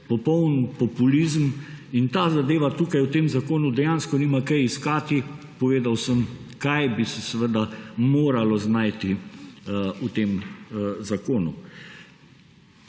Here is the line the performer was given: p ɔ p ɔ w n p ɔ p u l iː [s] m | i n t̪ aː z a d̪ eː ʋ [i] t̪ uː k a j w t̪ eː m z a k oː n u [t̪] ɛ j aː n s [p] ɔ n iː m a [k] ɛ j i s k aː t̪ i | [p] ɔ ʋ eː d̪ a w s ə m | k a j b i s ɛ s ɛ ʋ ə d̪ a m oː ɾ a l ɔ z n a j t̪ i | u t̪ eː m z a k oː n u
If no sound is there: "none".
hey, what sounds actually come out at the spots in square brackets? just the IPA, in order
z, a, d̪, k, k, p

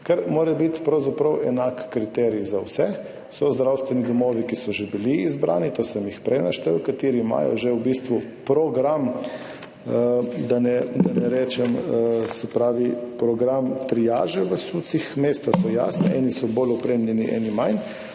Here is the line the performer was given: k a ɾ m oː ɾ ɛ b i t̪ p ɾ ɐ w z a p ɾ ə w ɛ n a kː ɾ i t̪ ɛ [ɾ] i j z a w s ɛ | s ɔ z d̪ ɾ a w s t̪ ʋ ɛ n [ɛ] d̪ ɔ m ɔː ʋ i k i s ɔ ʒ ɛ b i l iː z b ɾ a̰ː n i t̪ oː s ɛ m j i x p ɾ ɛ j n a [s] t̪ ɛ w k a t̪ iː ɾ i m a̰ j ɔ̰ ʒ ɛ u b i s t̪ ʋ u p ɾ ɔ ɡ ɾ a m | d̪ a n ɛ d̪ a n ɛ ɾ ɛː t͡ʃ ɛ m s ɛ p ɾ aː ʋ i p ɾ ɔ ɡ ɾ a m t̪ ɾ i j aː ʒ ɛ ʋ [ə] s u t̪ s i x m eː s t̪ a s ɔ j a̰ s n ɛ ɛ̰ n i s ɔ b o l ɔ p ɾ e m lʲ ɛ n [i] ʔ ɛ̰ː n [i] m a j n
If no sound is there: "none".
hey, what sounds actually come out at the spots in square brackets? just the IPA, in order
ɾ, i, ʃ, ə, i, i

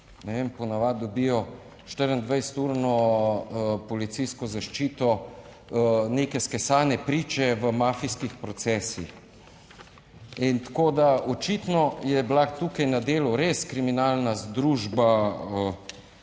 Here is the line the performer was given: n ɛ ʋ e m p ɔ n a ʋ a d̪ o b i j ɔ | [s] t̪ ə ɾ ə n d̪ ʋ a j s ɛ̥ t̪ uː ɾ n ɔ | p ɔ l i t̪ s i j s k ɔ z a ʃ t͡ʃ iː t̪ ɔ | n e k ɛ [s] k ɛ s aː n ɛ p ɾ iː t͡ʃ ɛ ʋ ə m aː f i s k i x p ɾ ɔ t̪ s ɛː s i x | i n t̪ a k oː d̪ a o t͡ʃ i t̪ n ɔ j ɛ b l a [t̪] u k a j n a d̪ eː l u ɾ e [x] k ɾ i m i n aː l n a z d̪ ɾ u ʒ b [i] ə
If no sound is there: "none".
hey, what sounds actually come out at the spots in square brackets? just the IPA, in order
ʃ, s, t̪, s, a

